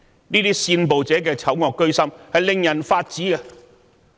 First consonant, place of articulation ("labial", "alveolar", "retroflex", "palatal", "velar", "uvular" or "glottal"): alveolar